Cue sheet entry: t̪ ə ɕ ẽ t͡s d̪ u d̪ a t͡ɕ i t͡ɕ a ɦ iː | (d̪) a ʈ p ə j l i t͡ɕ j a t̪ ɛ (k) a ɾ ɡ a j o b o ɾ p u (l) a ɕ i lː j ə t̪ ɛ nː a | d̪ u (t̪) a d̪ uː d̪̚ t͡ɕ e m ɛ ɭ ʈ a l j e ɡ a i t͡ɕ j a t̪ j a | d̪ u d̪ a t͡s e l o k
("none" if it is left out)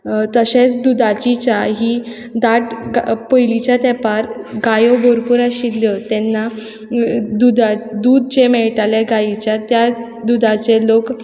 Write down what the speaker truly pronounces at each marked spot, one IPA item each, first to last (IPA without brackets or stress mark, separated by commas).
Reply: d̪, p, ɾ, d̪